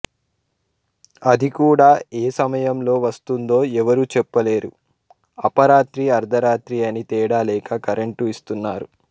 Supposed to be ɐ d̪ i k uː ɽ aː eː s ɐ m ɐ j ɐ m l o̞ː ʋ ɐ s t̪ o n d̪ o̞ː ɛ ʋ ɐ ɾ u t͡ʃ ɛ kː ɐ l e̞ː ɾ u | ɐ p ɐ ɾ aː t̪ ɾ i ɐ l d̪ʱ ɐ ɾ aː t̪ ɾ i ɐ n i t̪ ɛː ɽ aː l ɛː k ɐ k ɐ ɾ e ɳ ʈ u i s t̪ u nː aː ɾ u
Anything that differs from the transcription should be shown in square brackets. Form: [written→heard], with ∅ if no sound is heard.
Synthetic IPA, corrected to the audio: ɐ d̪ i k uː ɽ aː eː s ɐ m ɐ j ɐ m l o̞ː ʋ ɐ s t̪ [o→u] n d̪ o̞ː ɛ ʋ ɐ ɾ u t͡ʃ ɛ [kː→pː] ɐ l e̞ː ɾ u | ɐ p ɐ ɾ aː t̪ ɾ i ɐ [l→ɾ] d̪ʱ ɐ ɾ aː t̪ ɾ i ɐ n i t̪ ɛː ɽ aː l ɛː k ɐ k ɐ ɾ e ɳ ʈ u i s t̪ u nː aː ɾ u